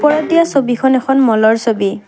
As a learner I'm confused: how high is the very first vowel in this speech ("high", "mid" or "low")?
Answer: mid